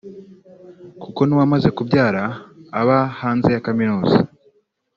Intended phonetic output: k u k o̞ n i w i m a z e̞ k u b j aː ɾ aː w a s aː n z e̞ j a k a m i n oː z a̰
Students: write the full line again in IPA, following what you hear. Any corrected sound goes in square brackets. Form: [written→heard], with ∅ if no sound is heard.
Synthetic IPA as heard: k u k o̞ n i w [i→a] m a z e̞ k u b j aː ɾ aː [w→β] a [s→h] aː n z e̞ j a k a m i n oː z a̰